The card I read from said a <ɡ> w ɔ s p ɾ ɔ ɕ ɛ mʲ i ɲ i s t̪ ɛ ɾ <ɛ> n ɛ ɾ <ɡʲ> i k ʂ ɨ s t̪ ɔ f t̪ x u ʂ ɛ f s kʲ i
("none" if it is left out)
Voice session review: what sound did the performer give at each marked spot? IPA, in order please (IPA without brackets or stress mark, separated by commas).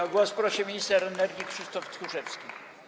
ɡ, ɛ, ɡʲ